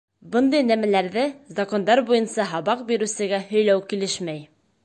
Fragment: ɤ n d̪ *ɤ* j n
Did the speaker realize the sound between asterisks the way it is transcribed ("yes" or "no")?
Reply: yes